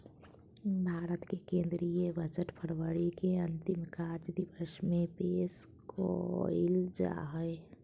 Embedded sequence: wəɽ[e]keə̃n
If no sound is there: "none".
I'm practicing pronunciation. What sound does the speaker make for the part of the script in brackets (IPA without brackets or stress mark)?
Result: i